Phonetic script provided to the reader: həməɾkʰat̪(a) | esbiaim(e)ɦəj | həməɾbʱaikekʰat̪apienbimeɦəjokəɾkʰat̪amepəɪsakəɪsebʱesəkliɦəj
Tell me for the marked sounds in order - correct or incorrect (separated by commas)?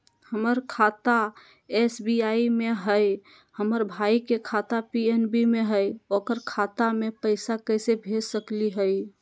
correct, correct